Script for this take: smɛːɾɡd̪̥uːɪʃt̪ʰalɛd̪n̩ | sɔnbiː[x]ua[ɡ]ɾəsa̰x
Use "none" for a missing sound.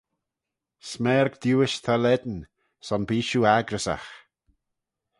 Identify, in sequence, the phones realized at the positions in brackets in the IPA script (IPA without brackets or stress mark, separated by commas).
ʃ, ɡ